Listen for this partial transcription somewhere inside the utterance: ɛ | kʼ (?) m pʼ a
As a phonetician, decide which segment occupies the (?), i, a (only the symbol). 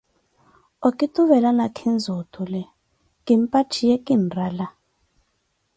i